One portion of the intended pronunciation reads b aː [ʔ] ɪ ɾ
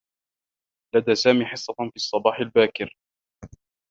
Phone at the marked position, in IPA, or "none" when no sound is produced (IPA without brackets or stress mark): k